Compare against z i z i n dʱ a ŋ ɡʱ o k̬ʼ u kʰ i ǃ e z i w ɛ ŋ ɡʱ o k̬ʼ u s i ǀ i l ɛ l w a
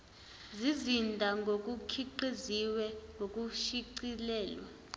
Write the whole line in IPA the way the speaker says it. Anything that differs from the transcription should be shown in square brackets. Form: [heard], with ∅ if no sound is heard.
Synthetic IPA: z i z i n dʱ a ŋ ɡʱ o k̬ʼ u kʰ i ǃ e z i w ɛ ŋ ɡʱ o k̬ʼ u [ʃ] i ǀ i l [ɛː] l w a